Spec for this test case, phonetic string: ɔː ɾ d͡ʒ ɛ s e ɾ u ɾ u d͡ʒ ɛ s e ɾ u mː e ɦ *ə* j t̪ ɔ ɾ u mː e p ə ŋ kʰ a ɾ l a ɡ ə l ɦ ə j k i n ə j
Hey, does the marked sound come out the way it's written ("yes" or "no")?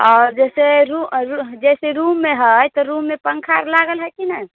yes